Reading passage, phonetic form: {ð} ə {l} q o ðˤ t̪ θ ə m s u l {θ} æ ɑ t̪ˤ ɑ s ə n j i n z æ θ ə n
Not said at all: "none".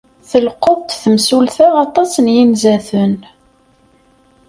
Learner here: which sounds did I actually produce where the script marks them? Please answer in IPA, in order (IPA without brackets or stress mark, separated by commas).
θ, l, θ